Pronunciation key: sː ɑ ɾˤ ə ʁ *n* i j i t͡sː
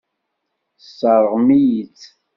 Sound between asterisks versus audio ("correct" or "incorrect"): incorrect